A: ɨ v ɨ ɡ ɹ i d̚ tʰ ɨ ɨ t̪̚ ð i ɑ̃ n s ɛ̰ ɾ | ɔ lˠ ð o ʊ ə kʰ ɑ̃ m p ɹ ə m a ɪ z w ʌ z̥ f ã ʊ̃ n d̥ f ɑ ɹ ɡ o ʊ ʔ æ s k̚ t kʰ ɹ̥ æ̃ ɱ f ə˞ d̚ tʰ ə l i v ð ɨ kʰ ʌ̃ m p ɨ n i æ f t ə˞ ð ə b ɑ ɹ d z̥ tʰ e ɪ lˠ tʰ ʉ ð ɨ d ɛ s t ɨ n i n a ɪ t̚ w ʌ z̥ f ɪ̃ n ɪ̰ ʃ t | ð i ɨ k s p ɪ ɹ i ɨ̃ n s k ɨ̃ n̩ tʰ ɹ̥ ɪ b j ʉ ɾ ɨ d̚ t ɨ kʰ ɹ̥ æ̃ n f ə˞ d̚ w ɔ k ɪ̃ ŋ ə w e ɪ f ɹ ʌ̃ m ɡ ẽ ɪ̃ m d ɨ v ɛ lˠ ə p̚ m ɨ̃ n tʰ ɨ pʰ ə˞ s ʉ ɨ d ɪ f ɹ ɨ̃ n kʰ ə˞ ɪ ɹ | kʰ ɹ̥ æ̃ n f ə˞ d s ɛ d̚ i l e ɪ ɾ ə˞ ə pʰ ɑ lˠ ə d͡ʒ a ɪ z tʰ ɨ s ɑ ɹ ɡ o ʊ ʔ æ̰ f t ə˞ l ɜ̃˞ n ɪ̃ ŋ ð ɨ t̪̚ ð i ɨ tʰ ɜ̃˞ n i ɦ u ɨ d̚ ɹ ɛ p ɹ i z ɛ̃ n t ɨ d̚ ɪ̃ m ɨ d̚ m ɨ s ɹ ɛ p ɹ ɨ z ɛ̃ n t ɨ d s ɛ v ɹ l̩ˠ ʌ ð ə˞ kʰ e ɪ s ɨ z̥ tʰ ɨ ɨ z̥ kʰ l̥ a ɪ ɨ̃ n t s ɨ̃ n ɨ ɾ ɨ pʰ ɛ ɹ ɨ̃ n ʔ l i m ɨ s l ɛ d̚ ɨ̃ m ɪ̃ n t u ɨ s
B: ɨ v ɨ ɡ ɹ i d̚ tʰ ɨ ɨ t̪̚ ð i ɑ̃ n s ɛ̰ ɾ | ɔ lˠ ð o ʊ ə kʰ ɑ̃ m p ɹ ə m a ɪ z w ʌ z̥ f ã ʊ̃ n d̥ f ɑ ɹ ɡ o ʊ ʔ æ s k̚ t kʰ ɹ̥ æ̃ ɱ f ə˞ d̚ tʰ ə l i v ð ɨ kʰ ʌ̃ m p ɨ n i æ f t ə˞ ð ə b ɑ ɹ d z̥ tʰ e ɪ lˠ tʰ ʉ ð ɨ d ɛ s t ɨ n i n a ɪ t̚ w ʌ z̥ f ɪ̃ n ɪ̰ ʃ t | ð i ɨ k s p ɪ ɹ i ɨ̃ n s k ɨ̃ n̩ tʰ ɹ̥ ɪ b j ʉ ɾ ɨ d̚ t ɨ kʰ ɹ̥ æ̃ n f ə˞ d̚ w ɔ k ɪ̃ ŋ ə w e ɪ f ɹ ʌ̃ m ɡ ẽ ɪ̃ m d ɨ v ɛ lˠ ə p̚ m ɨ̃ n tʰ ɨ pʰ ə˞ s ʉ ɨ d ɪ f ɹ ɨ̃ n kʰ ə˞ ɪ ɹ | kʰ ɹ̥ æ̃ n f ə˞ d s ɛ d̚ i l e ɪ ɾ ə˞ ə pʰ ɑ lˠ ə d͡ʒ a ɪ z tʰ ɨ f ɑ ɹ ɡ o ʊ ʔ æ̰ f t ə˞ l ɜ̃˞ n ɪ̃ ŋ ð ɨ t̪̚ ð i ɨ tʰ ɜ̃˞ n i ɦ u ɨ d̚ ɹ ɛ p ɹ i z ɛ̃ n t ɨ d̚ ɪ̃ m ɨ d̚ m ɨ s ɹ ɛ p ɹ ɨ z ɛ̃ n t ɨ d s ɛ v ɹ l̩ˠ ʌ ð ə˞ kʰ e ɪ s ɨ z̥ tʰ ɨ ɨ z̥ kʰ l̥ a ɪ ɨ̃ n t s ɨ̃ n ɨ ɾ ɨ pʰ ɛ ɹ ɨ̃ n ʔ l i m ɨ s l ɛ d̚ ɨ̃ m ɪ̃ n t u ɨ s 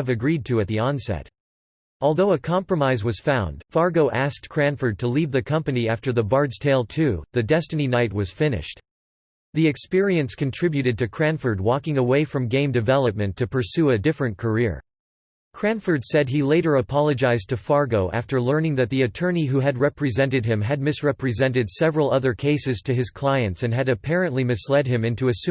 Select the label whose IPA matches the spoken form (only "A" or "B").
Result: B